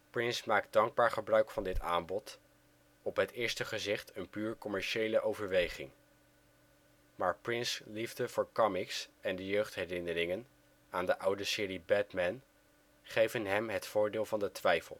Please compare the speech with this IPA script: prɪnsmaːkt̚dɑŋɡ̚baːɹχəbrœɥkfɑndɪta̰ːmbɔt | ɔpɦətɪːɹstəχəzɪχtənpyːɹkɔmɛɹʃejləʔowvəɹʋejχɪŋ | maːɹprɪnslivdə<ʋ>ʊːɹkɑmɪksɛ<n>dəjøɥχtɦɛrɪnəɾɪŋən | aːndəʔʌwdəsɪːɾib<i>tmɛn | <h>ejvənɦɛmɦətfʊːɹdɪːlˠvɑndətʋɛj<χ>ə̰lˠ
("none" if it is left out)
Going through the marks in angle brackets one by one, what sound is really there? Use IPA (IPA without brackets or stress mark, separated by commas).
v, n, ɛ, χ, f